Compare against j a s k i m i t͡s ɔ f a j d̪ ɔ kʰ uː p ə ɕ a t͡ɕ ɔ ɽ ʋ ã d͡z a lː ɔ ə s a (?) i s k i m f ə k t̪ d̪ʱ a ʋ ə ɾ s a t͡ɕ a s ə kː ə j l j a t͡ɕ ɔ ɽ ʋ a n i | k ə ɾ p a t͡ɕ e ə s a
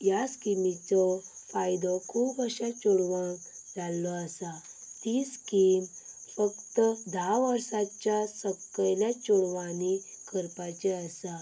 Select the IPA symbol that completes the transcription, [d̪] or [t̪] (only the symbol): t̪